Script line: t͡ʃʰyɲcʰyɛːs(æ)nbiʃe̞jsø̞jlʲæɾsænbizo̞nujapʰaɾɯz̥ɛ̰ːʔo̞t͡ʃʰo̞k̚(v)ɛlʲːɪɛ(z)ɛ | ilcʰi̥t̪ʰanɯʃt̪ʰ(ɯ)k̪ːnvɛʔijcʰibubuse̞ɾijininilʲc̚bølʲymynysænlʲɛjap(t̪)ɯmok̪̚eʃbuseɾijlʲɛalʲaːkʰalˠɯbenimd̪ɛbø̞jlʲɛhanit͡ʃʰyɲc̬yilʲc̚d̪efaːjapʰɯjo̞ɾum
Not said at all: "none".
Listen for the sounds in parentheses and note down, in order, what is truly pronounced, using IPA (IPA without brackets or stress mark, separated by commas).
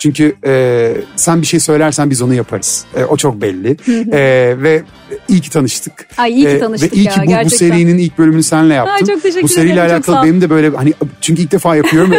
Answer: æ, b, v, ɯ, t̪